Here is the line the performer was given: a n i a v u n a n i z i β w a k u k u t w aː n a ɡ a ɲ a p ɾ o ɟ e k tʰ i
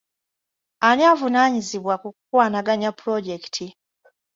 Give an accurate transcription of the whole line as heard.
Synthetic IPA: a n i a v u n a ɲ i z i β w a k u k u k w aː n a ɡ a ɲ a p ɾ o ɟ e k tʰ i

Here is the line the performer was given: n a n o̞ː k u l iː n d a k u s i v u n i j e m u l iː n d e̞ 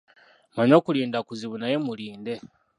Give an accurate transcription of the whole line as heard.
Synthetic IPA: m a ɲ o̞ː k u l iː n d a k u z i β u n a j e m u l iː n d e̞

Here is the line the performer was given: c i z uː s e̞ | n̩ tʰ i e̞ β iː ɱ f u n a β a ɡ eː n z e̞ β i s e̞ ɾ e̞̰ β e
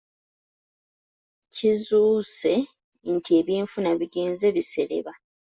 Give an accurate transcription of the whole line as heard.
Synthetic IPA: c i z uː s e̞ | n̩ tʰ i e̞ β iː ɱ f u n a β i ɡ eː n z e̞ β i s e̞ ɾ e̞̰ β a

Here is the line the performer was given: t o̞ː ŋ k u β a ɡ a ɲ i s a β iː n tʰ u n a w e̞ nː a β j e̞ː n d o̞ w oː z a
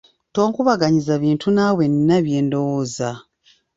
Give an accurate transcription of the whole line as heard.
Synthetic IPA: t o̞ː ŋ k u β a ɡ a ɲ i z a β iː n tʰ u n a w e̞ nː a β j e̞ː n d o̞ w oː z a

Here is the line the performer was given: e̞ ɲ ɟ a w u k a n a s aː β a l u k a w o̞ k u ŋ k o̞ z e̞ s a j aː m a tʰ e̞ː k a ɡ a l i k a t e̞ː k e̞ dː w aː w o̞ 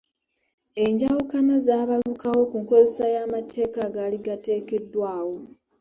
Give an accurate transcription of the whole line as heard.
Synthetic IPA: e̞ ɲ ɟ a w u k a n a z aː β a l u k a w o̞ k u ŋ k o̞ z e̞ s a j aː m a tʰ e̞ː k a ɡ a l i ɡ a t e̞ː k e̞ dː w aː w o̞

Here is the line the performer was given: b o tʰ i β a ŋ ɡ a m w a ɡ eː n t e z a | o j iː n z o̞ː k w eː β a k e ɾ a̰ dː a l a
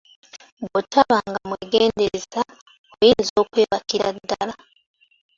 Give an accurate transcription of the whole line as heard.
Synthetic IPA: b o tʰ a β a ŋ ɡ a m w e ɡ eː n d e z a | o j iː n z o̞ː k w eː β a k i ɾ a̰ dː a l a

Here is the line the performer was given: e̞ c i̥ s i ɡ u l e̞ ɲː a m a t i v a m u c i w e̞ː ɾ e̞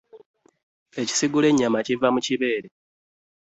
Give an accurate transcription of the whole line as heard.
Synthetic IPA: e̞ c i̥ s i ɡ u l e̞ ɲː a m a c i v a m u c i β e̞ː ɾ e̞

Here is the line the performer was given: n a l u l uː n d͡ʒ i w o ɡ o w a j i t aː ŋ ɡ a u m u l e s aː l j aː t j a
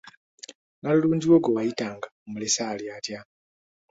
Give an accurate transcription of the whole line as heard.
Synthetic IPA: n a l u l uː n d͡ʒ i w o ɡ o w a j i t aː ŋ ɡ a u m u l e s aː l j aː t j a

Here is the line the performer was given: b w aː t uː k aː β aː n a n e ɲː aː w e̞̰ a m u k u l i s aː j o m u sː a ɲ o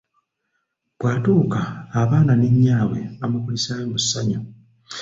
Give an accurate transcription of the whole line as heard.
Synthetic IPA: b w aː t uː k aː β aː n a n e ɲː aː w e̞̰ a m u k u l i s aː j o m u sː a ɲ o

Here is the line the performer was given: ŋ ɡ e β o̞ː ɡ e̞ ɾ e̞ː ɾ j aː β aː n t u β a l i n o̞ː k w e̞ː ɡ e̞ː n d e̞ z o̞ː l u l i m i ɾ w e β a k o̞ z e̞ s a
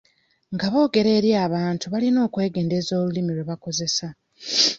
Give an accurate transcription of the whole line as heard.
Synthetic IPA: ŋ ɡ a β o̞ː ɡ e̞ ɾ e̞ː ɾ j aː β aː n t u β a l i n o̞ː k w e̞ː ɡ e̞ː n d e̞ z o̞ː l u l i m i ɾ w e β a k o̞ z e̞ s a

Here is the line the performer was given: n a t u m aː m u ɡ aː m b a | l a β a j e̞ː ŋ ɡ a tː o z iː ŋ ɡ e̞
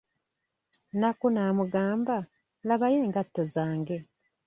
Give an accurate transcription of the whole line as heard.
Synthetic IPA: n a k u n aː m u ɡ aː m b a | l a β a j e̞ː ŋ ɡ a tː o z aː ŋ ɡ e̞

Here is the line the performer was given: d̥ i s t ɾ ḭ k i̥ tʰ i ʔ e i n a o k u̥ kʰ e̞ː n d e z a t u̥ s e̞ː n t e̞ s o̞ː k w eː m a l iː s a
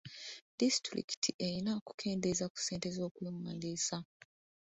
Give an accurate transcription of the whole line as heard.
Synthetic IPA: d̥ i s t ɾ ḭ k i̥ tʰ i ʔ e i n a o k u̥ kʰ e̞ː n d e z a k u̥ s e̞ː n t e̞ z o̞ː k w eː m a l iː s a

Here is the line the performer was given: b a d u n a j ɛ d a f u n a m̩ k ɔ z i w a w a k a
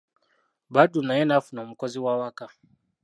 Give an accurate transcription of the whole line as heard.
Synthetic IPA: b a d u n a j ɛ n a f u n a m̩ k ɔ z i w a w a k a

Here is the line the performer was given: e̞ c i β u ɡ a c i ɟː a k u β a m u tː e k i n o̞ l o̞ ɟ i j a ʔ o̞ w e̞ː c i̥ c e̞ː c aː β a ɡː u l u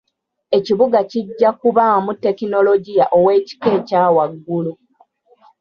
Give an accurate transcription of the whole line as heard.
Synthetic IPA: e̞ c i β u ɡ a c i ɟː a k u β a m u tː e k i n o̞ l o̞ ɟ i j a ʔ o̞ w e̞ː c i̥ k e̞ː c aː w a ɡː u l u

